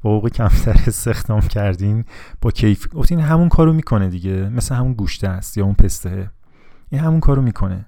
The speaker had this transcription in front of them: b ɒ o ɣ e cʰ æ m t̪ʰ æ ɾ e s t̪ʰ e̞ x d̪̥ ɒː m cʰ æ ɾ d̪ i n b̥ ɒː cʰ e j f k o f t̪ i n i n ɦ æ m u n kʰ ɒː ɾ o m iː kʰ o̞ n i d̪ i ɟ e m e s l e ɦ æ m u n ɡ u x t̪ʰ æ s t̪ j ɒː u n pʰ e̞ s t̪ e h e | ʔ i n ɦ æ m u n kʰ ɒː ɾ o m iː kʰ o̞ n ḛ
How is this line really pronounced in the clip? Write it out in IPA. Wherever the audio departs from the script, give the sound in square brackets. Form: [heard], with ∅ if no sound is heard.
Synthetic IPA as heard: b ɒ o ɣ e cʰ æ m t̪ʰ æ ɾ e s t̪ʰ e̞ x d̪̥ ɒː m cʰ æ ɾ d̪ i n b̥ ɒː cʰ e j f [ɡ] o f t̪ i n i n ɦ æ m u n kʰ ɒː ɾ o m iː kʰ o̞ n [e] d̪ i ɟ e m e s l e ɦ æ m u n ɡ u [ʃ] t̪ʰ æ s t̪ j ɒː u n pʰ e̞ s t̪ e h e | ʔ i n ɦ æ m u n kʰ ɒː ɾ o m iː kʰ o̞ n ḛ